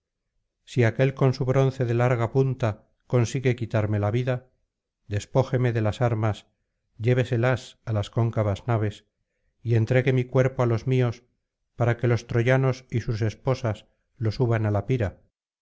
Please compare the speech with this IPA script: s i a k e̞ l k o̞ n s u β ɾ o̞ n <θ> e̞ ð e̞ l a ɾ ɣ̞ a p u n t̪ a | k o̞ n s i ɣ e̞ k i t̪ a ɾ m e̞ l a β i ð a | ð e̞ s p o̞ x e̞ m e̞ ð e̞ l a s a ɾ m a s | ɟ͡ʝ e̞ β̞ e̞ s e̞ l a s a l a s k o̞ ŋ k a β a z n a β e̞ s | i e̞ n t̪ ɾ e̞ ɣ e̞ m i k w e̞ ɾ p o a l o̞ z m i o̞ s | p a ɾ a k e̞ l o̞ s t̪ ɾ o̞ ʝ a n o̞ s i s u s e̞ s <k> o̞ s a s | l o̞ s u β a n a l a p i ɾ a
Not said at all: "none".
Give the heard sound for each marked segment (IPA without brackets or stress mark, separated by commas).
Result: θ, p